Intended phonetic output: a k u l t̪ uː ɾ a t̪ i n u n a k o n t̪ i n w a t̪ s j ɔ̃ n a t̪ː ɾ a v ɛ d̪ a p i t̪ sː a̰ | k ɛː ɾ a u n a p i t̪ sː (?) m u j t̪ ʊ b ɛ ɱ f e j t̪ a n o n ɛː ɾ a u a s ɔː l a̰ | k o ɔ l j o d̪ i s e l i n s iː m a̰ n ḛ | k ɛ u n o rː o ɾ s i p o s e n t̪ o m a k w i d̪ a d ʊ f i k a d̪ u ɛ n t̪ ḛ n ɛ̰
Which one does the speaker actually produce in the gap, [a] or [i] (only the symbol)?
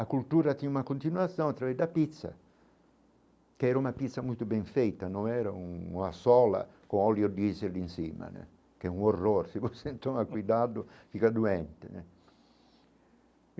a